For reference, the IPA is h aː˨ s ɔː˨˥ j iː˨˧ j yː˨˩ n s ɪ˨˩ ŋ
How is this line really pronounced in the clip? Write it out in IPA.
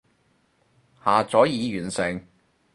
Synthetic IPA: h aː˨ t͡s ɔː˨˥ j iː˨˧ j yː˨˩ n s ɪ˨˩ ŋ

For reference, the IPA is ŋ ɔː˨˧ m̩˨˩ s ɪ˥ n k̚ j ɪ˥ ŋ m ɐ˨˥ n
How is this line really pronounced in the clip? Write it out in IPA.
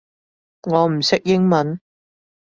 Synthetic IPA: ŋ ɔː˨˧ m̩˨˩ s ɪ˥ k̚ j ɪ˥ ŋ m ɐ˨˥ n

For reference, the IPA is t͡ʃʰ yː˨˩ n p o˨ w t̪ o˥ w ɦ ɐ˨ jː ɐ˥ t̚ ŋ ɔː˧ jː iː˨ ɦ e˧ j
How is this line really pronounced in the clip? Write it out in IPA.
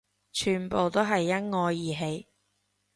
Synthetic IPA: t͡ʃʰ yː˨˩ n p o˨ w t̪ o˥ w ɦ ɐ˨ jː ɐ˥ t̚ ŋ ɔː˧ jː iː˨ ɦ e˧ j

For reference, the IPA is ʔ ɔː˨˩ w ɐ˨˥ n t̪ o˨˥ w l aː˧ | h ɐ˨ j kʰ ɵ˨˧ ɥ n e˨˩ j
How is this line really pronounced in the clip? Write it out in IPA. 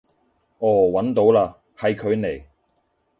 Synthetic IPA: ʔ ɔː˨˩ w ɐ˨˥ n t̪ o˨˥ w l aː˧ | h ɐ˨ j kʰ ɵ˨˧ ɥ n e˨˩ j

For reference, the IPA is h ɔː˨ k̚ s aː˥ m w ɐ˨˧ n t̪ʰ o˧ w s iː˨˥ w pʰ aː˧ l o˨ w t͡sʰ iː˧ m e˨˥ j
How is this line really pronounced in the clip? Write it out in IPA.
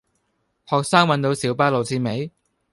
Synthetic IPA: h ɔː˨ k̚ s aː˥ ŋ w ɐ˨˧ n t̪ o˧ w s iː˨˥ w p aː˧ l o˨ w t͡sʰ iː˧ m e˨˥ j

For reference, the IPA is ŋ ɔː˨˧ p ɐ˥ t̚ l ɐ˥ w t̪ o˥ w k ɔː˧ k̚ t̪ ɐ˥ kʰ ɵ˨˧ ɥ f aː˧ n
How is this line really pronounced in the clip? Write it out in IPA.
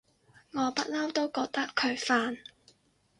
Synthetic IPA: ŋ ɔː˨˧ p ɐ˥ t̚ l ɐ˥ w t̪ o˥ w k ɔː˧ k̚ t̪ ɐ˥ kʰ ɵ˨˧ ɥ f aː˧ n

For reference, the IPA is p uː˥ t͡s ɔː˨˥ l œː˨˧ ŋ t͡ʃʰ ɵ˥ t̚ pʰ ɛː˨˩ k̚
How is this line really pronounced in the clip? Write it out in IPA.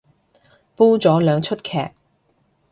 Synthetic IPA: p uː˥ t͡s ɔː˨˥ l œː˨˧ ŋ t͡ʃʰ ɵ˥ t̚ kʰ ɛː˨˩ k̚

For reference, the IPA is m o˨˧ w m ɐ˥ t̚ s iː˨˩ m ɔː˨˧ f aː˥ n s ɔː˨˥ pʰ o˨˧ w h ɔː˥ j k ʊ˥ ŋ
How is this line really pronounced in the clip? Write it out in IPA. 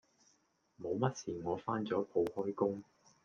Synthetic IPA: m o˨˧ w m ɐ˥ t̚ s iː˨˩ ŋ ɔː˨˧ f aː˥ n t͡s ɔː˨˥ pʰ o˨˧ w h ɔː˥ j k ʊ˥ ŋ

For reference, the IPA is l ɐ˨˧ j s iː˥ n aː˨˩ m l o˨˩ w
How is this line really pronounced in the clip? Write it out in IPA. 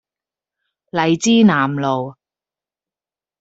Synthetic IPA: l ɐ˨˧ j t͡s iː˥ n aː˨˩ m l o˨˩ w

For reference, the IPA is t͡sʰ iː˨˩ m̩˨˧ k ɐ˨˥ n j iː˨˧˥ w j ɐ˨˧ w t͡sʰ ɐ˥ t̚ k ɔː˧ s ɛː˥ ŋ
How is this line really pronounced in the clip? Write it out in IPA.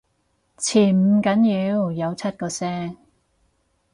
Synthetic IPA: t͡sʰ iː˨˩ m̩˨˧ k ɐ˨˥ n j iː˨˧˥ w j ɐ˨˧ w t͡sʰ ɐ˥ t̚ k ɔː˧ s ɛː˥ ŋ

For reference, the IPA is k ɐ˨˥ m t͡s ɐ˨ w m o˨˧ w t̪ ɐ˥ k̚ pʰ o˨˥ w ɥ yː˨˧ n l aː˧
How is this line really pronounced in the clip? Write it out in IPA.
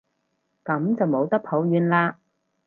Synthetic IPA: k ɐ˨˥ m t͡s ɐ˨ w m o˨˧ w t̪ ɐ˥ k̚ pʰ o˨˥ w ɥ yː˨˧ n l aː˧

